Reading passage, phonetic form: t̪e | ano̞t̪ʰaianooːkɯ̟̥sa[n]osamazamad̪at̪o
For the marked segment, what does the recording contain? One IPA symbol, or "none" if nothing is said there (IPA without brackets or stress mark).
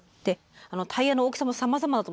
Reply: m